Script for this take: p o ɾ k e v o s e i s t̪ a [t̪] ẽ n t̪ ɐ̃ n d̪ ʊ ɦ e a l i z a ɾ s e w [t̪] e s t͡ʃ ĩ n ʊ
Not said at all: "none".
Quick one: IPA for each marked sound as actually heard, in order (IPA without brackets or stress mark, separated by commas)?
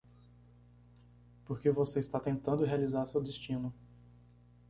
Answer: t̪, d̪